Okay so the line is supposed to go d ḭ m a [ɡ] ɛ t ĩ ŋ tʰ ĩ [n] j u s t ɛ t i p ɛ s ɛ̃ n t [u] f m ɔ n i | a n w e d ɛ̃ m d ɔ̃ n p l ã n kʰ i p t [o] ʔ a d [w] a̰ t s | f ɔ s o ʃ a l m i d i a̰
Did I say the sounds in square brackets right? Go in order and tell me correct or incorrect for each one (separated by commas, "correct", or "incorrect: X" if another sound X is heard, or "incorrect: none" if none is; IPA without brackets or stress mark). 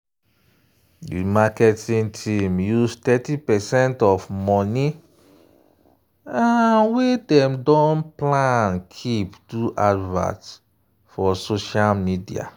incorrect: k, incorrect: m, incorrect: ɔ, incorrect: u, incorrect: v